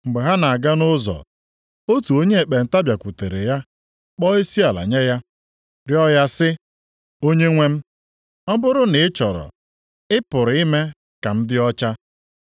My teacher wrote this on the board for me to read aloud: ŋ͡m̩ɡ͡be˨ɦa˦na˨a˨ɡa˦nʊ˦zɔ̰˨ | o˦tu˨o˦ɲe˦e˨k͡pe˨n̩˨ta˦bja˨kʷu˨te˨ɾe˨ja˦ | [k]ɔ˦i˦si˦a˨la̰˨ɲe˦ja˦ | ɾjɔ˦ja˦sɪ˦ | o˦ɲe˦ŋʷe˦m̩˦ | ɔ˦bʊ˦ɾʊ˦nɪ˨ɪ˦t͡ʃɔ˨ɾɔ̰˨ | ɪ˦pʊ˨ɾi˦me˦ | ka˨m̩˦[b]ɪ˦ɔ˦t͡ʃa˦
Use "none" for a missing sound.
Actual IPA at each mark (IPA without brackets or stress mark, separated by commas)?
k͡p, d